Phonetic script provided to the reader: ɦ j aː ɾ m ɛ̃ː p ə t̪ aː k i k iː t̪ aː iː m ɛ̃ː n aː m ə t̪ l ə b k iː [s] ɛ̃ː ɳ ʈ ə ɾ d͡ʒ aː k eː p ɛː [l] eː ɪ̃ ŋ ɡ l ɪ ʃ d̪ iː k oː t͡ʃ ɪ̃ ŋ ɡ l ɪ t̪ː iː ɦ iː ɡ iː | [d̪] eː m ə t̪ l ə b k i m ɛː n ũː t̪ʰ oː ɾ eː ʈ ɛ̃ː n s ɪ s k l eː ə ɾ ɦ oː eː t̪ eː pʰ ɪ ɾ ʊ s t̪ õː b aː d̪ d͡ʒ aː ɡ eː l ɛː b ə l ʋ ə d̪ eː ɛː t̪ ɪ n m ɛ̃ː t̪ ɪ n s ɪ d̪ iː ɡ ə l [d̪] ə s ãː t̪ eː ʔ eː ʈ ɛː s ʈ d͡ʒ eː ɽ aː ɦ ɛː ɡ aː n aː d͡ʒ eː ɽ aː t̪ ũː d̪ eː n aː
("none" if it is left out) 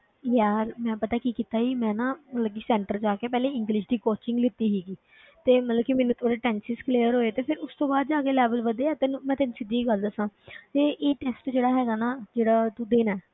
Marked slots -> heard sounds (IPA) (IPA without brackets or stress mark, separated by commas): s, l, t̪, d̪